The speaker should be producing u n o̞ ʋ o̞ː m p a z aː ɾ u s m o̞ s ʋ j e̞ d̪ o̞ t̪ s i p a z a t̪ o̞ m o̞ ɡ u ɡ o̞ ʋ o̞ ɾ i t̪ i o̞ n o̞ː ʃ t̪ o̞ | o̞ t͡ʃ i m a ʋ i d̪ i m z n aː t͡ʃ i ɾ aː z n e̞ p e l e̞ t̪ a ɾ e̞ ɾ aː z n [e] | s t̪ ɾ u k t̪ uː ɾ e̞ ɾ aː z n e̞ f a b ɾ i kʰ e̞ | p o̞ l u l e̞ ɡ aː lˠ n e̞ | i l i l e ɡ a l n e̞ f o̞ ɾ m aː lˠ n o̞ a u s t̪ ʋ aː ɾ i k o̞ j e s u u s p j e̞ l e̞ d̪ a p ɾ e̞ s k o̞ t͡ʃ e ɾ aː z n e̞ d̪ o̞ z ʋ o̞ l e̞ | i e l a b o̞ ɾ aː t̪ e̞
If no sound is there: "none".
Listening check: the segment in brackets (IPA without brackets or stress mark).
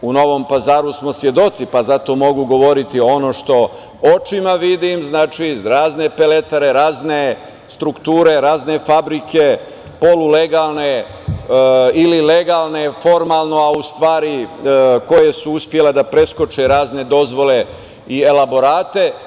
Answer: e